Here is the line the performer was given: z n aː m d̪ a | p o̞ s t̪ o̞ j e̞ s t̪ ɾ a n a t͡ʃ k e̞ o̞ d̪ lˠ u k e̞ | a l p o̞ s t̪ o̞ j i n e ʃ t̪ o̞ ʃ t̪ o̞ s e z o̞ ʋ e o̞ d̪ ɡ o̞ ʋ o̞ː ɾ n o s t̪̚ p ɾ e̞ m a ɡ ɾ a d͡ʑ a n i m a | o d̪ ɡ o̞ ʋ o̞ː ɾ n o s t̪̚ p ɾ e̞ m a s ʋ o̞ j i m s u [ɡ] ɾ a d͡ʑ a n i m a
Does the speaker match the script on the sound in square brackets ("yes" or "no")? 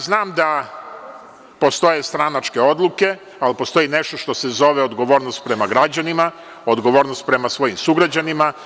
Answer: yes